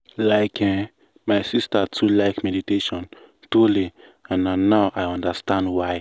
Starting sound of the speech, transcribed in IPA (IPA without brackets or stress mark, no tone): l